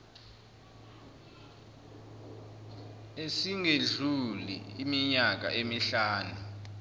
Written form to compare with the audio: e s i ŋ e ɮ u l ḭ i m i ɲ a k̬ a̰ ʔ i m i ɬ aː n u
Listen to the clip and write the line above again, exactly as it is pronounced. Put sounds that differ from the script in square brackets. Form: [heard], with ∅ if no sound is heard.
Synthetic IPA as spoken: e s i ŋ e ɮ u l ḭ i m i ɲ a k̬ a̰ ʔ [e] m i ɬ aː n u